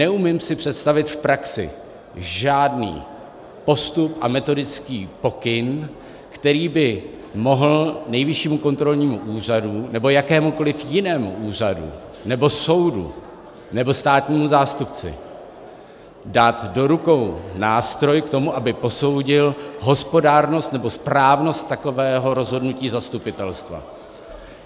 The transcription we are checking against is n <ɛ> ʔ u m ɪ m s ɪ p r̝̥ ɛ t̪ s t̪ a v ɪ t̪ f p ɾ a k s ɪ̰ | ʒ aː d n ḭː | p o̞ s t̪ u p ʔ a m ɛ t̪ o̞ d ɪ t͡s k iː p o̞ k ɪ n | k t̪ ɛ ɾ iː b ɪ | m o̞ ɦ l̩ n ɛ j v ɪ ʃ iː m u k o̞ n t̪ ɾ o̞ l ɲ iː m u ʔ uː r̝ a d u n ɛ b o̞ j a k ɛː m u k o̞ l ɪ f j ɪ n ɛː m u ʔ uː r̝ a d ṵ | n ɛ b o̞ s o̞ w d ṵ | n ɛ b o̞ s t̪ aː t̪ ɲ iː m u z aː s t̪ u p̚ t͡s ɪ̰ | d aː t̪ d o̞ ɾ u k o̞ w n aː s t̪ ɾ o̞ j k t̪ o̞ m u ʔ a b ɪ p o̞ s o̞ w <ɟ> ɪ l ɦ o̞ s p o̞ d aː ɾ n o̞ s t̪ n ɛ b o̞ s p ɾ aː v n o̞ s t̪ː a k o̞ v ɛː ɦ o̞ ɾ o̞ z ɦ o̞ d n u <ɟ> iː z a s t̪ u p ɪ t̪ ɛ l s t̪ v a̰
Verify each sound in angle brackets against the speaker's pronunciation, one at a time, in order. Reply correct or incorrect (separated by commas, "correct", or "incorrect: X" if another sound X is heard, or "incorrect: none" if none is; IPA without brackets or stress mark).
correct, correct, incorrect: c